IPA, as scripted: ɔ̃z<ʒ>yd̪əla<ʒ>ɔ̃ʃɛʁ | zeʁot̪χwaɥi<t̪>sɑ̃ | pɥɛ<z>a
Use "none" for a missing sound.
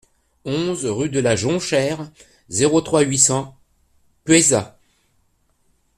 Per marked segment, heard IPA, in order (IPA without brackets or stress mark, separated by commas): ʁ, ʒ, none, z